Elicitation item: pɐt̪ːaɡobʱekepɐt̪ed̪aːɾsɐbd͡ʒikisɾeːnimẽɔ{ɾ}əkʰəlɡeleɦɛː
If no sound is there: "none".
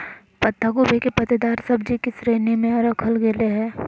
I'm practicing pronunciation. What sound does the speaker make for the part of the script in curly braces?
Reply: ɾ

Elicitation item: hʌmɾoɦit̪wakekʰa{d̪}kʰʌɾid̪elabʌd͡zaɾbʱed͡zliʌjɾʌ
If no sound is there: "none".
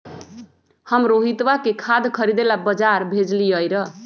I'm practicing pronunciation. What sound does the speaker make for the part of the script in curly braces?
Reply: d̪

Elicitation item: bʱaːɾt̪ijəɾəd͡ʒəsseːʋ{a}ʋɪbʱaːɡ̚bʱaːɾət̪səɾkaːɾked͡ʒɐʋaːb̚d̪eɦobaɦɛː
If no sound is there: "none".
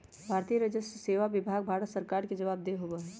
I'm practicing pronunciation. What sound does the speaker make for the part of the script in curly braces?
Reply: a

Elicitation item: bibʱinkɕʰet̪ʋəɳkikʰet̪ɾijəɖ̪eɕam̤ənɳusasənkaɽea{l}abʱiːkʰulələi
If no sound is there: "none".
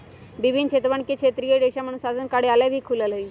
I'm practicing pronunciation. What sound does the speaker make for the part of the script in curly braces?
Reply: l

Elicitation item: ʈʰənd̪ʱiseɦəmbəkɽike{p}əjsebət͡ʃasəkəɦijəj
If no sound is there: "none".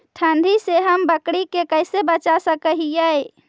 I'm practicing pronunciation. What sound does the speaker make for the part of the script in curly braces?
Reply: k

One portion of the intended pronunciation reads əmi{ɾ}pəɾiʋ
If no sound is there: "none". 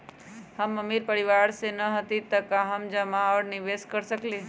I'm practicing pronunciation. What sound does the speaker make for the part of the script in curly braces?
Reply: ɾ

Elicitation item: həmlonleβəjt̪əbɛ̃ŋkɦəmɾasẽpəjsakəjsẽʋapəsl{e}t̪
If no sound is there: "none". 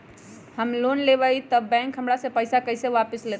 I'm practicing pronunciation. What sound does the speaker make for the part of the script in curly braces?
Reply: e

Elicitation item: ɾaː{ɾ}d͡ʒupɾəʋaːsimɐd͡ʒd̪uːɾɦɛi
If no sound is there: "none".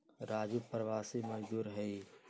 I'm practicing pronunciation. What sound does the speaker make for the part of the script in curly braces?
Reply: none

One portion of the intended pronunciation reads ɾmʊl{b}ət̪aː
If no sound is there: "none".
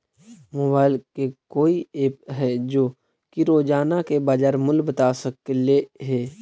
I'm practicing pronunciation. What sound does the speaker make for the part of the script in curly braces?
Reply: b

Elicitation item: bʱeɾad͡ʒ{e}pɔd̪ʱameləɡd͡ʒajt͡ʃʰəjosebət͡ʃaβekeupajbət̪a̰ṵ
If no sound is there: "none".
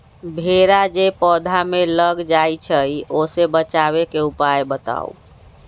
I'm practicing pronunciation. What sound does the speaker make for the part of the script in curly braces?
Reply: e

